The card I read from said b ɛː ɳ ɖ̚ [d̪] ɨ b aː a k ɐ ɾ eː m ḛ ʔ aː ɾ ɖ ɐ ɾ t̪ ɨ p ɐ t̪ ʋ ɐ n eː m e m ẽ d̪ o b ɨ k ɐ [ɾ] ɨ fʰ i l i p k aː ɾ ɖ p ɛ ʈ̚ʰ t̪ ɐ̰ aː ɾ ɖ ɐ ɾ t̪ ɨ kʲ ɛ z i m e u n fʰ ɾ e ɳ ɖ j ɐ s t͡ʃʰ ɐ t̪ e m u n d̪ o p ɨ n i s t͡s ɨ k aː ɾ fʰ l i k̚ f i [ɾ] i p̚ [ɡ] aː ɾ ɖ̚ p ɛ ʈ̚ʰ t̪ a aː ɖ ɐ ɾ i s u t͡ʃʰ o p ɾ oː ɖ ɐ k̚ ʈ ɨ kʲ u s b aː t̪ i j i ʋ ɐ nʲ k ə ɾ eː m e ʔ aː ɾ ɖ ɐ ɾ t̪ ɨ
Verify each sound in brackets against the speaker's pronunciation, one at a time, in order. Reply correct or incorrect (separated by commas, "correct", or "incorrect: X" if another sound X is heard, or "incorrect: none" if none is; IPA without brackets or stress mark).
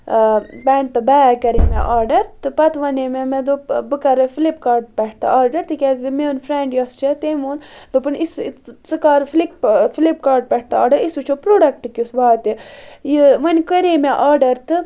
incorrect: t̪, correct, incorrect: l, incorrect: k